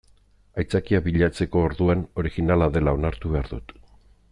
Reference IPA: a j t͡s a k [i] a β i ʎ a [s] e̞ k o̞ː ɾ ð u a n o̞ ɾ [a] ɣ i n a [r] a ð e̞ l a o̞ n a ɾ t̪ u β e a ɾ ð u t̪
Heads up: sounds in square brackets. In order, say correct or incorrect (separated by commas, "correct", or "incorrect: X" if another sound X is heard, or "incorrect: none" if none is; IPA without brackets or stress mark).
correct, incorrect: t͡s, incorrect: i, incorrect: l